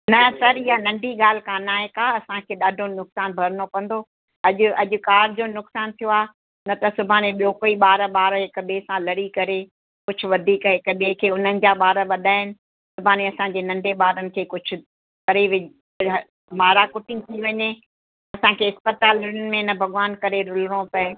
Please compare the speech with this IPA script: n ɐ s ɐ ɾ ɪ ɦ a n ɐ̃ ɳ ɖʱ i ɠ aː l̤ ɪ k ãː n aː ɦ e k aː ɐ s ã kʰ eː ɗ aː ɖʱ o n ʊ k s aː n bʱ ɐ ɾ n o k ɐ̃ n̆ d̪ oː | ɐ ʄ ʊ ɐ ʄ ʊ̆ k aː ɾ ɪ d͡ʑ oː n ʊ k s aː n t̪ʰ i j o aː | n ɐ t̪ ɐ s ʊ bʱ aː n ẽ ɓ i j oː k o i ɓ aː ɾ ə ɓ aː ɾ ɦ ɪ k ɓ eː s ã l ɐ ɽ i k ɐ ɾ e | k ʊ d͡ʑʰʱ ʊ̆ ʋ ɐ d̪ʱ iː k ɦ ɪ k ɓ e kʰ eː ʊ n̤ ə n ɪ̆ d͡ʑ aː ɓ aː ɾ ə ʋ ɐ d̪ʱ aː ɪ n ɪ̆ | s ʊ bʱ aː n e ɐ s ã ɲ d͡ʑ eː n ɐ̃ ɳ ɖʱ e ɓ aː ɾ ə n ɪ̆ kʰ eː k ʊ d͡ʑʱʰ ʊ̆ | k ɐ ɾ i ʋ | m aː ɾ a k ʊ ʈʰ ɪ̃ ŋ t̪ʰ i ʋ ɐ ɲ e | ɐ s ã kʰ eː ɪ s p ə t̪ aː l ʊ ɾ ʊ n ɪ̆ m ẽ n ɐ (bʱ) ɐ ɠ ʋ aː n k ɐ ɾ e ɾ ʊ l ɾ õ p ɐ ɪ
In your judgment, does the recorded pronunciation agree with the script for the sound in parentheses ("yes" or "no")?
yes